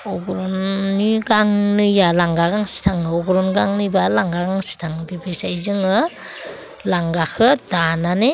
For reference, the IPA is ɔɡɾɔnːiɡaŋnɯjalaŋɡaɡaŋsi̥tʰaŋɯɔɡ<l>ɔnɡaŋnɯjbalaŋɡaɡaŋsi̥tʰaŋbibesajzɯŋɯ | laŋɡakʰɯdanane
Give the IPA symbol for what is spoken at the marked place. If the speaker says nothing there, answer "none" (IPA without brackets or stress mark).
ɾ